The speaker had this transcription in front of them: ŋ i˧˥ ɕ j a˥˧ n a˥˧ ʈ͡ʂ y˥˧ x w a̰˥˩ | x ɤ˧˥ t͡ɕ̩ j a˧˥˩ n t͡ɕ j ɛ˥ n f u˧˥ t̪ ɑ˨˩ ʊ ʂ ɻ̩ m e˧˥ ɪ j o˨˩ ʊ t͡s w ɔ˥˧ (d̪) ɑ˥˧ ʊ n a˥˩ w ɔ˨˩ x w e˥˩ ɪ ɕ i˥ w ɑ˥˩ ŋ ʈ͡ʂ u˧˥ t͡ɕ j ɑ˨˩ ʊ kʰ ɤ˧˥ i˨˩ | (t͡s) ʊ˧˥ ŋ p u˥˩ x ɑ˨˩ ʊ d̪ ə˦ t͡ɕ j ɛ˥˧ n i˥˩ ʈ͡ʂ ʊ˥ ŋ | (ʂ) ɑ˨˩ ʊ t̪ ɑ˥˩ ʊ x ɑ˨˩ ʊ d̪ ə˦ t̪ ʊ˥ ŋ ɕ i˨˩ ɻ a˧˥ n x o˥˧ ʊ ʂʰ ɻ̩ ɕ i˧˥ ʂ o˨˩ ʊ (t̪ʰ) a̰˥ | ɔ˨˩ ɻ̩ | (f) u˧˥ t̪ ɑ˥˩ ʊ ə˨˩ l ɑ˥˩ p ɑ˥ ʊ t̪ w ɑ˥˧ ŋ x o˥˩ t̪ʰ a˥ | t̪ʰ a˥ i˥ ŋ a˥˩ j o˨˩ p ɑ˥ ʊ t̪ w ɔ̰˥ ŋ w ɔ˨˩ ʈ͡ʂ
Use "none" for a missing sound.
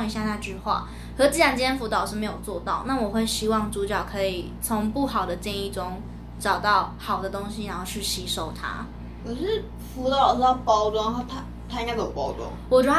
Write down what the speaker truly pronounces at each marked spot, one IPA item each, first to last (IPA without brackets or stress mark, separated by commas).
t̪, t͡sʰ, ʈ͡ʂ, t̪ʰ, f